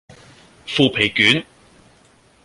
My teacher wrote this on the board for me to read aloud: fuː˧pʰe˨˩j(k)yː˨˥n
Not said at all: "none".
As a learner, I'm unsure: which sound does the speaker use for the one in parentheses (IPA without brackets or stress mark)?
k